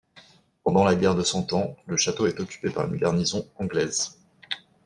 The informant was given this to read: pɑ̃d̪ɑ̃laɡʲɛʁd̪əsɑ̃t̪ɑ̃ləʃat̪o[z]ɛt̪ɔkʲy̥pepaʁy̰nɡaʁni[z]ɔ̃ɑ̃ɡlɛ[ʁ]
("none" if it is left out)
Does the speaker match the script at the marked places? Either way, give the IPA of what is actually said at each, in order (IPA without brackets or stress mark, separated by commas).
none, z, z